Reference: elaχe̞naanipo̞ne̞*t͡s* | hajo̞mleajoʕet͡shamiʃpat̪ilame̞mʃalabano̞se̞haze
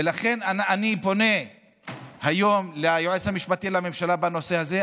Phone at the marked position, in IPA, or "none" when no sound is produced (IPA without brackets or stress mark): none